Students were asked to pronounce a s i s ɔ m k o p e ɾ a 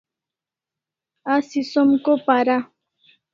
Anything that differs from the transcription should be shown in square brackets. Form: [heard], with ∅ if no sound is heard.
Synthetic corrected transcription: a s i s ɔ m k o p [a] ɾ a